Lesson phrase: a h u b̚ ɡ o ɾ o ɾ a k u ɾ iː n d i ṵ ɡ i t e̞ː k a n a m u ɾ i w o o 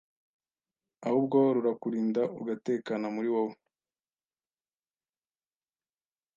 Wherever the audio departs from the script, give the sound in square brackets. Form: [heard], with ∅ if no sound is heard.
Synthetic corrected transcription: a h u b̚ ɡ o ɾ [u] ɾ a k u ɾ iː n d [a] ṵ ɡ [a] t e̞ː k a n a m u ɾ i w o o